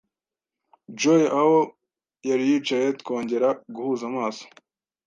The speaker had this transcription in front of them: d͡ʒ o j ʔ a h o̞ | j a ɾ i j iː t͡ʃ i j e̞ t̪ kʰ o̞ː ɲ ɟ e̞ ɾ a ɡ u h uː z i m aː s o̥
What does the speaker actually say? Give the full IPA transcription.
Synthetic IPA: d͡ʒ o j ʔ a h o̞ | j a ɾ i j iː t͡ʃ a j e̞ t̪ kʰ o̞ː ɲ ɟ e̞ ɾ a ɡ u h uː z a m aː s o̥